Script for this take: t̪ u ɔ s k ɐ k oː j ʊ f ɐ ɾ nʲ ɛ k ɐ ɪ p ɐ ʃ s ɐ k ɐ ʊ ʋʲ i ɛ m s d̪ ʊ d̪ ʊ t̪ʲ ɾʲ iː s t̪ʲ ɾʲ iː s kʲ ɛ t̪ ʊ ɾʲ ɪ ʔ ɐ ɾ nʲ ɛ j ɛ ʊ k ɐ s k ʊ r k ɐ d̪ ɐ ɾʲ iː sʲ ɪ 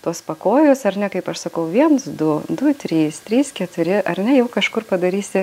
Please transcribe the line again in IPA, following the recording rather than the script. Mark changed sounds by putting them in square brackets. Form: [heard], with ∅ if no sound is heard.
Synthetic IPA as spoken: t̪ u ɔ s [p] ɐ k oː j ʊ [s] ɐ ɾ nʲ ɛ k ɐ ɪ p ɐ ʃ s ɐ k ɐ ʊ ʋʲ i ɛ [n] s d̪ ʊ d̪ ʊ t̪ʲ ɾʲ iː s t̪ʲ ɾʲ iː s kʲ ɛ t̪ ʊ ɾʲ ɪ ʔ ɐ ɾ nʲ ɛ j ɛ ʊ k ɐ [ʃ] k ʊ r [p] ɐ d̪ ɐ ɾʲ iː sʲ ɪ

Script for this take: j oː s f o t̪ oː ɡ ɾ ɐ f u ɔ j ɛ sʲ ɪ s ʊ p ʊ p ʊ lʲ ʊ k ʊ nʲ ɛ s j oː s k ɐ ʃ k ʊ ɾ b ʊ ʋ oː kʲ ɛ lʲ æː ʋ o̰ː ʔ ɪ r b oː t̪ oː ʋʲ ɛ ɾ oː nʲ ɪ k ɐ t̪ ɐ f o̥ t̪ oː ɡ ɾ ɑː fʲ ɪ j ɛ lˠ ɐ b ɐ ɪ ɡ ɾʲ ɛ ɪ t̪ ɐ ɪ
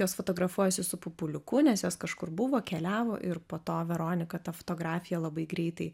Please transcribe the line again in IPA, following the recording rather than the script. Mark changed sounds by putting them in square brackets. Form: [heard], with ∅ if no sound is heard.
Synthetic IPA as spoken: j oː s f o t̪ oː ɡ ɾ ɐ f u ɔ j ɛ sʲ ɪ s ʊ p ʊ p ʊ lʲ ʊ k ʊ nʲ ɛ s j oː s k ɐ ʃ k ʊ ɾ b ʊ ʋ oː kʲ ɛ lʲ æː ʋ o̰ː ʔ ɪ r [p] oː t̪ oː ʋʲ ɛ ɾ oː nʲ ɪ k ɐ t̪ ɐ f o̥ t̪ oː ɡ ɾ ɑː fʲ ɪ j ɛ lˠ ɐ b ɐ ɪ ɡ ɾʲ ɛ ɪ t̪ ɐ ɪ

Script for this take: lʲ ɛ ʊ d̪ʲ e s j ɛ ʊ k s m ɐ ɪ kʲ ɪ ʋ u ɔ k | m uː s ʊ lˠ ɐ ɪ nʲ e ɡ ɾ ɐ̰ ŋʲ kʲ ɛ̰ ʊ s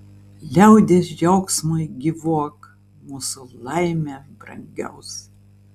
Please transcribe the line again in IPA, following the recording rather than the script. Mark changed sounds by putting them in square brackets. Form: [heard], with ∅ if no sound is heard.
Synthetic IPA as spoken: lʲ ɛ ʊ d̪ʲ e s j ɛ ʊ k s m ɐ ɪ [ɡʲ] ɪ ʋ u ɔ k | m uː s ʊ lˠ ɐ ɪ [mʲ] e [b] ɾ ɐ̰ ŋʲ [ɡʲ] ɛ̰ ʊ s

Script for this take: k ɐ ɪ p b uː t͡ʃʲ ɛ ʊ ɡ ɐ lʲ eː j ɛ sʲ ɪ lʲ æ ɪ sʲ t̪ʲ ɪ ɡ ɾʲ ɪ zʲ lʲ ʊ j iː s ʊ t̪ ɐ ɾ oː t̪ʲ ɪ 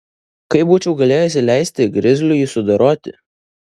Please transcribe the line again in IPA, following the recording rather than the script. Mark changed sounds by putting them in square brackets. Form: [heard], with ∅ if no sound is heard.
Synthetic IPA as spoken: k ɐ ɪ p b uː t͡ʃʲ ɛ ʊ ɡ ɐ lʲ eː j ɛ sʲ ɪ lʲ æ ɪ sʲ t̪ʲ ɪ ɡ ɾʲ ɪ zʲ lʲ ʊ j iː s ʊ [d̪] ɐ ɾ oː t̪ʲ ɪ

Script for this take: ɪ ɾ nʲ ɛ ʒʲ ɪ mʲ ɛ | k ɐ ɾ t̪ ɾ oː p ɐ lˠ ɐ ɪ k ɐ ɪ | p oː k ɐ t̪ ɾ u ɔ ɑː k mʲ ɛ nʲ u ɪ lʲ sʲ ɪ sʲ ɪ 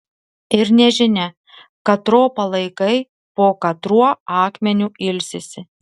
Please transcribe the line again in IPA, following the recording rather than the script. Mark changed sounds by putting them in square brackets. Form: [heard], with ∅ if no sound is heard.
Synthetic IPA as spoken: ɪ ɾ nʲ ɛ ʒʲ ɪ [nʲ] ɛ | k ɐ [∅] t̪ ɾ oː p ɐ lˠ ɐ ɪ k ɐ ɪ | p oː k ɐ t̪ ɾ u ɔ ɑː k mʲ ɛ nʲ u ɪ lʲ sʲ ɪ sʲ ɪ

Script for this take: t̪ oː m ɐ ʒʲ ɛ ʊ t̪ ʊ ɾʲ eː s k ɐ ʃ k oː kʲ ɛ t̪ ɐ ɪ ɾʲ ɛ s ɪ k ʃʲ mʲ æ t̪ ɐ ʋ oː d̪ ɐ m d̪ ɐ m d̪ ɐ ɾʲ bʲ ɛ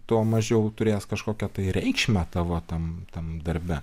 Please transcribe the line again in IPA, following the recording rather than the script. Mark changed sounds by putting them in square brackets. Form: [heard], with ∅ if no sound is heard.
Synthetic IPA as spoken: t̪ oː m ɐ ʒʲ ɛ ʊ t̪ ʊ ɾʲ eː s k ɐ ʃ k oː kʲ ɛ t̪ ɐ ɪ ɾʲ ɛ [∅] ɪ k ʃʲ mʲ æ t̪ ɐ ʋ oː [t̪] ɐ m [t̪] ɐ m d̪ ɐ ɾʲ bʲ ɛ

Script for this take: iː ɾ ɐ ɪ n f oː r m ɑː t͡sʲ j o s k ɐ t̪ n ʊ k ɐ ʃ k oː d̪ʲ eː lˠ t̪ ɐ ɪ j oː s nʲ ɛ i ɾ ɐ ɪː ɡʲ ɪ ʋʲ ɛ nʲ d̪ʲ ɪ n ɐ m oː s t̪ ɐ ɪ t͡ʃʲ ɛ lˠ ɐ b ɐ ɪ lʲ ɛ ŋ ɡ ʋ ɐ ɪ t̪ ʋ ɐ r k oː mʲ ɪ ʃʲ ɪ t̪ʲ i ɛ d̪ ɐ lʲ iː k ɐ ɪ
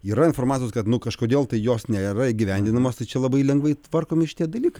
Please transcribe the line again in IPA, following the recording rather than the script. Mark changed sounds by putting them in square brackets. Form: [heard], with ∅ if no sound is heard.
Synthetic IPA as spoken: iː ɾ ɐ ɪ n f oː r m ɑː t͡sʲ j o s k ɐ t̪ n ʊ k ɐ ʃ k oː d̪ʲ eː lˠ t̪ ɐ ɪ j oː s nʲ ɛ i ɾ ɐ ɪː ɡʲ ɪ ʋʲ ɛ nʲ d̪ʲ ɪ n ɐ m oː s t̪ ɐ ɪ t͡ʃʲ ɛ lˠ ɐ b ɐ ɪ lʲ ɛ ŋ ɡ ʋ ɐ ɪ t̪ ʋ ɐ r k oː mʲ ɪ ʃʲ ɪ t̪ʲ i ɛ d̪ ɐ lʲ iː k ɐ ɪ

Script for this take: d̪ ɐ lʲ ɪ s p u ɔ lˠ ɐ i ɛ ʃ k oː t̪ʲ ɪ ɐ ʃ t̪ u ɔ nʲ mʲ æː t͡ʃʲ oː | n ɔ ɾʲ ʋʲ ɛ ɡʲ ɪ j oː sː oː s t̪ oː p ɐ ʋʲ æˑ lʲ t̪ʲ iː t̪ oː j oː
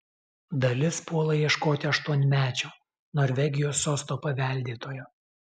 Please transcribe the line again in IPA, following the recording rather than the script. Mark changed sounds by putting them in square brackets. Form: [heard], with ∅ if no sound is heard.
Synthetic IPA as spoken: d̪ ɐ lʲ ɪ s p u ɔ lˠ ɐ i ɛ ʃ k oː t̪ʲ ɪ ɐ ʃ t̪ u ɔ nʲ mʲ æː t͡ʃʲ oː | n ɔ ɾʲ ʋʲ ɛ ɡʲ ɪ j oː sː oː s t̪ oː p ɐ ʋʲ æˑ lʲ [d̪ʲ] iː t̪ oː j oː

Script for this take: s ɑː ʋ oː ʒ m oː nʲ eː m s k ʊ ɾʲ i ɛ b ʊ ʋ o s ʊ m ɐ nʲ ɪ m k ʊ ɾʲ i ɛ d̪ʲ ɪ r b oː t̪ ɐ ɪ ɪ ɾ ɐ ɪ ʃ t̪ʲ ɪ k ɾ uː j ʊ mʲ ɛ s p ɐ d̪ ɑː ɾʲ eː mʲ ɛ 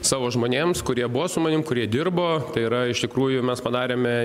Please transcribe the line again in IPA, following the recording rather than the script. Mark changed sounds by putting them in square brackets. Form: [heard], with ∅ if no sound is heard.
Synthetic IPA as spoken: s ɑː ʋ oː ʒ m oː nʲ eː m s k ʊ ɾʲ i ɛ b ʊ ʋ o s ʊ m ɐ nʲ ɪ m k ʊ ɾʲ i ɛ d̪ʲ ɪ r b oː t̪ ɐ ɪ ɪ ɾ ɐ ɪ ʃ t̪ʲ ɪ k ɾ uː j ʊ mʲ ɛ s p ɐ d̪ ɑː ɾʲ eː mʲ ɛ

